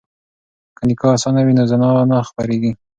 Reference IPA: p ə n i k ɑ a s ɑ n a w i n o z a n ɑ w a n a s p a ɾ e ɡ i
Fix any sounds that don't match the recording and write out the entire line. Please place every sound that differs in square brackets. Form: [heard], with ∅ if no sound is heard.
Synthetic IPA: [k] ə n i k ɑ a s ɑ n a w i n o z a n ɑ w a n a [x] p a ɾ e ɡ i